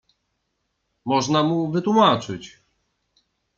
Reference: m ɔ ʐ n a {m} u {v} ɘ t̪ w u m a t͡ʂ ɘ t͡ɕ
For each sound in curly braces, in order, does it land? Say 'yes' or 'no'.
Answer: yes, yes

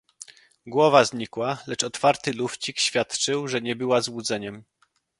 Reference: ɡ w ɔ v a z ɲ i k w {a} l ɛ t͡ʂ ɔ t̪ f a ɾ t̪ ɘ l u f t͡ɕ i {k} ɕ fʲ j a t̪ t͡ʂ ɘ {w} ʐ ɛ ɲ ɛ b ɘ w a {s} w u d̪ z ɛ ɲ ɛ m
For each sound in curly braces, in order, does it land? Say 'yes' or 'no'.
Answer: yes, yes, yes, no

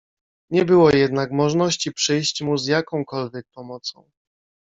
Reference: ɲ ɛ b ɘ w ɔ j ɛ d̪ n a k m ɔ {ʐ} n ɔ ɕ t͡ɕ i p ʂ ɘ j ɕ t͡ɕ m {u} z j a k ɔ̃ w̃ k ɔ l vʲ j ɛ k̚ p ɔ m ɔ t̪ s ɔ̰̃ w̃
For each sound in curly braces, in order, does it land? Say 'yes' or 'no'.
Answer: yes, yes

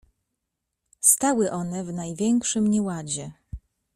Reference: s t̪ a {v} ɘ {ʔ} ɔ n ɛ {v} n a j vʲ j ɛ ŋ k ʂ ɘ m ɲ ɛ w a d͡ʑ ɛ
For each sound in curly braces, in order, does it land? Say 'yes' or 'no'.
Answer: no, yes, yes

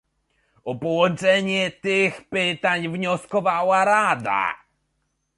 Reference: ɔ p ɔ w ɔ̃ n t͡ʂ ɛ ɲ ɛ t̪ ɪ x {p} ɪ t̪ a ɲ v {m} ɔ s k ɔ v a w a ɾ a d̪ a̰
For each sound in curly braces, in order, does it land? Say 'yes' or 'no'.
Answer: yes, no

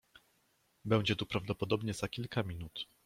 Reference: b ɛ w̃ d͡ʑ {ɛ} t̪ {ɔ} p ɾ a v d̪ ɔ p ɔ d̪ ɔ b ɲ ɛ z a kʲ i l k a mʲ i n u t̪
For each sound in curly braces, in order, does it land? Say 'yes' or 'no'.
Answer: yes, no

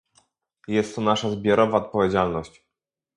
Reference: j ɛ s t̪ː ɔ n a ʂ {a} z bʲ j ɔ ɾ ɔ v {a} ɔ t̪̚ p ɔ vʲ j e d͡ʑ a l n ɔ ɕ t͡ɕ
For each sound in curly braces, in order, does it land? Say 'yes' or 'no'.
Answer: yes, yes

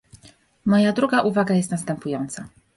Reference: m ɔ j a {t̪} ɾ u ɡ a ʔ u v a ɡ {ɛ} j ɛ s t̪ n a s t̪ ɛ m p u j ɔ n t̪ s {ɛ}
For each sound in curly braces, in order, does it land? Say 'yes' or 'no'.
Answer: no, no, no

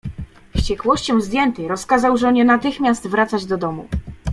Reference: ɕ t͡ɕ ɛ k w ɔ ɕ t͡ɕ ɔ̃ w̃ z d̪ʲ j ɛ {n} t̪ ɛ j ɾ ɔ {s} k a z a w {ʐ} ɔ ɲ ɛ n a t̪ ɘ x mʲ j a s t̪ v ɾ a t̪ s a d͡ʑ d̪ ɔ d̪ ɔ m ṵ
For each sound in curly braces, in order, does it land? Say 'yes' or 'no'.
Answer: yes, yes, yes

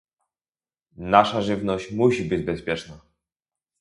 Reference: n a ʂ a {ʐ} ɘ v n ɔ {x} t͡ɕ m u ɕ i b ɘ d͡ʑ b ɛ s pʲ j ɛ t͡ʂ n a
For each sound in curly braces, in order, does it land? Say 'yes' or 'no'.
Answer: yes, no

